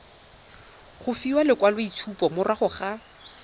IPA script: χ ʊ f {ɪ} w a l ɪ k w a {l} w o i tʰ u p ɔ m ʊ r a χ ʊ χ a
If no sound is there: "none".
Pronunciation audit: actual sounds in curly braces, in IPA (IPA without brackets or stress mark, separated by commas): i, l